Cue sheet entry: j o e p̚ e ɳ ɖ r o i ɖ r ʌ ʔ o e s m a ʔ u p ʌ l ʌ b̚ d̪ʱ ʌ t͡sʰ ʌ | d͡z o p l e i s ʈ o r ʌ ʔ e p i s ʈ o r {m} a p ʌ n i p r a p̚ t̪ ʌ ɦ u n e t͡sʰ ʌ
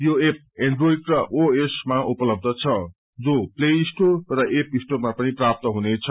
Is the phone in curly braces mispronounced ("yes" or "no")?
no